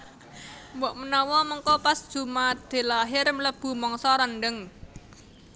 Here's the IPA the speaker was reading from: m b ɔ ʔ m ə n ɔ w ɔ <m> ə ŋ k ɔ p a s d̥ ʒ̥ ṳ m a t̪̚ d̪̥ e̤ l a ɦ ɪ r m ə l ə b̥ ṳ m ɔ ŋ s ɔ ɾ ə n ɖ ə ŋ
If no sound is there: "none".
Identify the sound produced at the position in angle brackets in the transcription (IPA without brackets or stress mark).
m